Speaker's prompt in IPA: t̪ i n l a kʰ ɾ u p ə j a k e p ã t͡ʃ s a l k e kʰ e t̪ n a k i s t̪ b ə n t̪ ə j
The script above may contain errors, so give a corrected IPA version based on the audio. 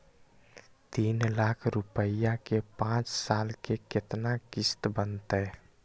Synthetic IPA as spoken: t̪ i n l a kʰ ɾ u p ə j a k e p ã t͡ʃ s a l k e k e t̪ n a k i s t̪ b ə n t̪ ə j

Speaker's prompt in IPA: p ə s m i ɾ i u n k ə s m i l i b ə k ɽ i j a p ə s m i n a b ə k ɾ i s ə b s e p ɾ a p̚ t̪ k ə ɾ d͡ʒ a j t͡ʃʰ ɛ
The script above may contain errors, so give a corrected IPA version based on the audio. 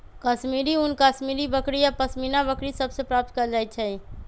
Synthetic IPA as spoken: k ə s m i ɾ i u n k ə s m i ɾ i b ə k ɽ i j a p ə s m i n a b ə k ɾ i s ə b s e p ɾ a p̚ t̪ k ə ɾ d͡ʒ a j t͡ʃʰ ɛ

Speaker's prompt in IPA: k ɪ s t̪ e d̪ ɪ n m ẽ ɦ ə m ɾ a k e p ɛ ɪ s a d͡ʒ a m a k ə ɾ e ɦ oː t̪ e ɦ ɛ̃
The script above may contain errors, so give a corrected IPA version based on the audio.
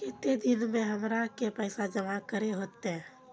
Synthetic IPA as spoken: k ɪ t̪ e d̪ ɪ n m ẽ ɦ ə m ɾ a k e p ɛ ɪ s a d͡ʒ ə m a k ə ɾ e ɦ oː t̪ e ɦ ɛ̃

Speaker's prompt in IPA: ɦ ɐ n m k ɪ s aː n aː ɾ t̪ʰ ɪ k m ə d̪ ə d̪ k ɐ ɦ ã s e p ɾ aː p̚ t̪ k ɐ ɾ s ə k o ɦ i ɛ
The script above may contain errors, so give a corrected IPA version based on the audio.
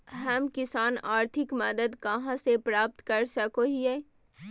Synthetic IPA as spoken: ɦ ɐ m k ɪ s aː n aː ɾ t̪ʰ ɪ k m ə d̪ ə d̪ k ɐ ɦ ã s e p ɾ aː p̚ t̪ k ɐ ɾ s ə k o ɦ i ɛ

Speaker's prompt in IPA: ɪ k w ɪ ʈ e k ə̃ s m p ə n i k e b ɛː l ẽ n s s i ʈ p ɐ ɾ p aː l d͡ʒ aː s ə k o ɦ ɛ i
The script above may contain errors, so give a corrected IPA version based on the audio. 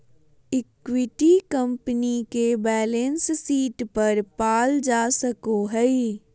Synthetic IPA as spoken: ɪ k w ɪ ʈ i k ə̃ m p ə n i k e b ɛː l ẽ n s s iː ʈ p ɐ ɾ p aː l d͡ʒ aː s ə k o ɦ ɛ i

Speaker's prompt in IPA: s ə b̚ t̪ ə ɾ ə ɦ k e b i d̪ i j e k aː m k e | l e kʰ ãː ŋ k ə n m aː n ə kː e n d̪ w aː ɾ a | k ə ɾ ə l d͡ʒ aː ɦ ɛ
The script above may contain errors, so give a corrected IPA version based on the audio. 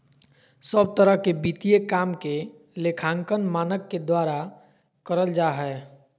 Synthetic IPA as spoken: s ə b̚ t̪ ə ɾ ə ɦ k e b i t̪ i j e k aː m k e | l e kʰ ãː ŋ k ə n m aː n ə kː e d̪ w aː ɾ a | k ə ɾ ə l d͡ʒ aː ɦ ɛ

